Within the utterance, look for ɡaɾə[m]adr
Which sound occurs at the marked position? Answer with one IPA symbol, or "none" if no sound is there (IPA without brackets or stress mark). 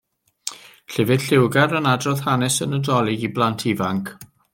n